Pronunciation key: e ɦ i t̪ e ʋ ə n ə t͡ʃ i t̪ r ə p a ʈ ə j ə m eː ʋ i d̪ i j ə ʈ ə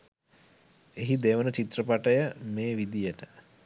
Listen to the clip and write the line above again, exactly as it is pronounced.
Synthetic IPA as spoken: e ɦ i d̪ e ʋ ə n ə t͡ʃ i t̪ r ə p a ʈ ə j ə m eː ʋ i d̪ i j ə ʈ ə